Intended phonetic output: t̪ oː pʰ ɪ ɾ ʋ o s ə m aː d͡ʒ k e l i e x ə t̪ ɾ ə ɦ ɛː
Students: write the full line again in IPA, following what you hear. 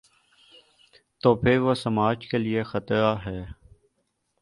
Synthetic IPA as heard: t̪ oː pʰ ɪ ɾ ʋ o s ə m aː d͡ʒ k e l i e x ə t̪ ɾ a ɦ ɛː

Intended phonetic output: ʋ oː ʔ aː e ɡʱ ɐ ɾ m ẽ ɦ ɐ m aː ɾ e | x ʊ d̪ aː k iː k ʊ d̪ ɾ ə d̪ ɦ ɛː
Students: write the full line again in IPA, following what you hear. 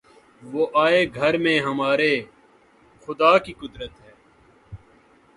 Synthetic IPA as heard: ʋ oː ʔ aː e ɡʱ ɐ ɾ m ẽ ɦ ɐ m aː ɾ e | x ʊ d̪ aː k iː k ʊ d̪ ɾ ə t̪ ɦ ɛː

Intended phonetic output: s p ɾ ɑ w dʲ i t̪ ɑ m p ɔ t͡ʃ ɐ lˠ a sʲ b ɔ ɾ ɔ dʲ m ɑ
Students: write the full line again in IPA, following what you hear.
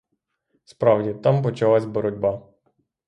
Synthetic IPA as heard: s p ɾ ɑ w dʲ i t̪ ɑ m p ɔ t͡ʃ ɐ lˠ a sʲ b ɔ ɾ ɔ dʲ b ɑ

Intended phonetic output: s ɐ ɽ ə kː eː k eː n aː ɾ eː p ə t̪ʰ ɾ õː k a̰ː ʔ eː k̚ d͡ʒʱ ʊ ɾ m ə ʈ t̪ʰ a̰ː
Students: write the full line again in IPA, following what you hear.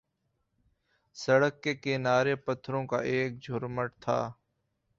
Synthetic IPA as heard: s ə ɽ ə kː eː k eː n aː ɾ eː p ə t̪ʰ ɾ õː k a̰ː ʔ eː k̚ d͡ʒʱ ʊ ɾ m ə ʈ t̪ʰ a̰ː

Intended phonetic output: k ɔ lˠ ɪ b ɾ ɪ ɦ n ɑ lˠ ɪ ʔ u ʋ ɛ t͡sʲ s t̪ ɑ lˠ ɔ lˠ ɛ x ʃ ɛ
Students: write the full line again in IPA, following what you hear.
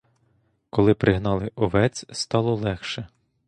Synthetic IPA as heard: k ɔ lˠ ɪ p ɾ ɪ ɦ n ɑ lˠ ɪ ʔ ɔ ʋ ɛ t͡sʲ s t̪ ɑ lˠ ɔ lˠ ɛ x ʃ ɛ

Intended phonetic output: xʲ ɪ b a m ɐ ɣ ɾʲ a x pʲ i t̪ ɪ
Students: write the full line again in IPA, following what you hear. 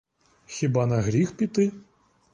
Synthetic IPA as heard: xʲ i b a n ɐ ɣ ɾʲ i x pʲ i t̪ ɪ

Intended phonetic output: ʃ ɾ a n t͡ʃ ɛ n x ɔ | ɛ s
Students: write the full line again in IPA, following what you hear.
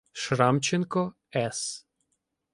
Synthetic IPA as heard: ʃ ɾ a m t͡ʃ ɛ n k ɔ | ɛ s

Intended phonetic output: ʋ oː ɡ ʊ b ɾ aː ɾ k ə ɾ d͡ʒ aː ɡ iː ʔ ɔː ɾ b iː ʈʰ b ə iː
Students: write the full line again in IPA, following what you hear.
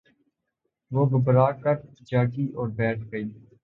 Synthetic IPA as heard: ʋ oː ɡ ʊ b ɾ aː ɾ k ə ɾ d͡ʒ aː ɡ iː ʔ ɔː ɾ b ɛː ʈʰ ɡ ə iː

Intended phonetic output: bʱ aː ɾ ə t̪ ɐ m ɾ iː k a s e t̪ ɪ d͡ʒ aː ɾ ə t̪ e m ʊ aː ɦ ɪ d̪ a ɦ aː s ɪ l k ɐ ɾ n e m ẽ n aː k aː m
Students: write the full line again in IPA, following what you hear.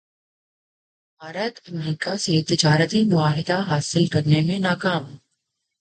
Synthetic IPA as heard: bʱ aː ɾ ə t̪ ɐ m ɾ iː k a s e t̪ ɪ d͡ʒ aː ɾ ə t̪ i m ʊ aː ɦ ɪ d̪ a ɦ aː s ɪ l k ɐ ɾ n e m ẽ n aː k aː m

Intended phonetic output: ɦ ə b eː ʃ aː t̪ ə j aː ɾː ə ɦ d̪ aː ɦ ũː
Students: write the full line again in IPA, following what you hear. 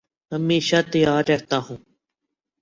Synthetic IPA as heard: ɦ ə m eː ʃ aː t̪ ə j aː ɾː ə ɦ t̪ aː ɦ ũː

